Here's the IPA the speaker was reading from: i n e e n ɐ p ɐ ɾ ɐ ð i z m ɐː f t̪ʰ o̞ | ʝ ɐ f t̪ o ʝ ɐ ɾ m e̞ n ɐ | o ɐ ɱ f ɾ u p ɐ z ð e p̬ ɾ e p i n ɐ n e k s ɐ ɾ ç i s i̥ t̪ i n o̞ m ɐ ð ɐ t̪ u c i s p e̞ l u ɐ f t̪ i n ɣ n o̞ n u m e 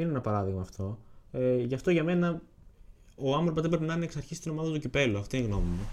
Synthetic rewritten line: i n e e n ɐ p ɐ ɾ ɐ ð i ɣ m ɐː f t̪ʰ o̞ | ʝ ɐ f t̪ o ʝ ɐ m e̞ n ɐ | o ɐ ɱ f ɾ o p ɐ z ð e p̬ ɾ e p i n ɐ n e k s ɐ ɾ ç i s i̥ t̪ i n o̞ m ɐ ð ɐ t̪ u c i p e̞ l u ɐ f t̪ i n ɣ n o̞ m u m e